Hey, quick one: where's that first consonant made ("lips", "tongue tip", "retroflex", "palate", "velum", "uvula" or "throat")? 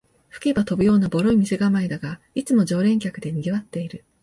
lips